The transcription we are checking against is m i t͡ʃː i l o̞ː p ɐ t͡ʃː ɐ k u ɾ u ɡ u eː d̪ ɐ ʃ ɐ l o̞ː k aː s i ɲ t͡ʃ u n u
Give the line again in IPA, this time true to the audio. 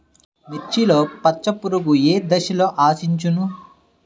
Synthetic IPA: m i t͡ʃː i l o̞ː p ɐ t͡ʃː ɐ p u ɾ u ɡ u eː d̪ ɐ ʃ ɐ l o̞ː ʔ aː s i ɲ t͡ʃ u n u